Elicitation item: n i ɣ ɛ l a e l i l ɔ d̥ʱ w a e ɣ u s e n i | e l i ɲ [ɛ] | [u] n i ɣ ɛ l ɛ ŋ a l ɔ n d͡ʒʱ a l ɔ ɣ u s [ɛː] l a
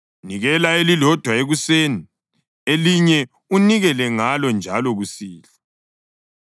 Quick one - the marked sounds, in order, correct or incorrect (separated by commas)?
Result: correct, correct, incorrect